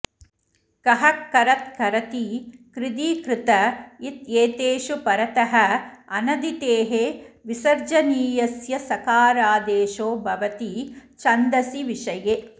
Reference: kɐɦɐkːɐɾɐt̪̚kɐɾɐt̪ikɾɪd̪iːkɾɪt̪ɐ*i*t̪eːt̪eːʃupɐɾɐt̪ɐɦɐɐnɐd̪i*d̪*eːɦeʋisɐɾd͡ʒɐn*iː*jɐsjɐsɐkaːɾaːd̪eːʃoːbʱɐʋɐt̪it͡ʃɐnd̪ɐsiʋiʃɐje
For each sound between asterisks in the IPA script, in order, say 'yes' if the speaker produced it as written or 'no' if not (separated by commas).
yes, no, yes